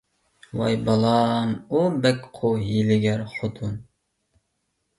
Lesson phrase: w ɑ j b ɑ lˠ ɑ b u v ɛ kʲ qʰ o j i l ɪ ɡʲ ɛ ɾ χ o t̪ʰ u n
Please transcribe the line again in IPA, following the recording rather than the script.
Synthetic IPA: w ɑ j b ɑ lˠ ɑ m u b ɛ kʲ qʰ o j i l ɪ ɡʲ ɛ ɾ χ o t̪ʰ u n